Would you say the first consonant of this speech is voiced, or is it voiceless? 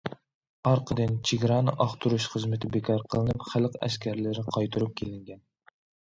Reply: voiced